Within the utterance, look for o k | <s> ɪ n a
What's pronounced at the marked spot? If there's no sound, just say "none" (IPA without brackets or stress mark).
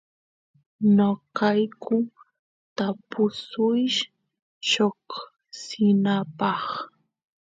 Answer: s